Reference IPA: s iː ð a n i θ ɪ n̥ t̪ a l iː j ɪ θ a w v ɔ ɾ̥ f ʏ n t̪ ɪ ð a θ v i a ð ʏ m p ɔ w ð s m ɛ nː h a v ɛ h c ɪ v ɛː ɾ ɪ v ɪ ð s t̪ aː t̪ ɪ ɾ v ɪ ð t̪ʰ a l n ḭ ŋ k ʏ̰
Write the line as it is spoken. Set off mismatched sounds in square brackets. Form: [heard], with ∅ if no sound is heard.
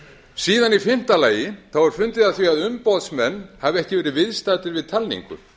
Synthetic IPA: s iː ð a n i [f] ɪ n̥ t̪ a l [aː] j ɪ θ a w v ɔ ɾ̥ f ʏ n t̪ ɪ ð a θ v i a ð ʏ m p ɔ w ð s m ɛ nː h a v ɛ h c ɪ v ɛː ɾ ɪ v ɪ ð s t̪ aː t̪ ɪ ɾ v ɪ ð t̪ʰ a l n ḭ ŋ k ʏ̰